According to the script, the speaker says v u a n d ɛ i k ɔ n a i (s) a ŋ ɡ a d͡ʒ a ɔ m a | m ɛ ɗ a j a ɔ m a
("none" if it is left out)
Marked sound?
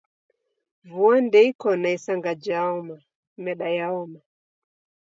s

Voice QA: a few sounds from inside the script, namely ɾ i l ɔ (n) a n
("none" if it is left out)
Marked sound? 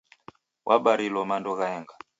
m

